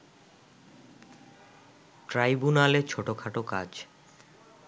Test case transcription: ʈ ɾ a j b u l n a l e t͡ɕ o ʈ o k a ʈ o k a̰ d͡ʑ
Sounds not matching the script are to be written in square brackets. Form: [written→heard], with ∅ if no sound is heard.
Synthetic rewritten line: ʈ ɾ a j b u [l→∅] n a l e [t͡ɕ→t͡ɕʰ] o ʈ o [k→kʰ] a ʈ o k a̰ d͡ʑ